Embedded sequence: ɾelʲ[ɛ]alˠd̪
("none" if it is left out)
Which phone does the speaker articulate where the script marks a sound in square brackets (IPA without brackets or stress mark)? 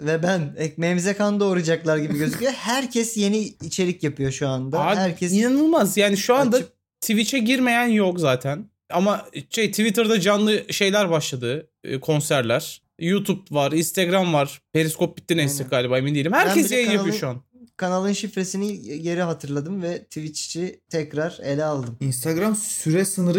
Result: ɛ